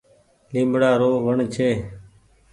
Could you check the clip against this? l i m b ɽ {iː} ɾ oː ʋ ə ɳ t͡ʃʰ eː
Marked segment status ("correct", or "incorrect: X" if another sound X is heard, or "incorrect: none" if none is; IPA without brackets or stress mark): incorrect: aː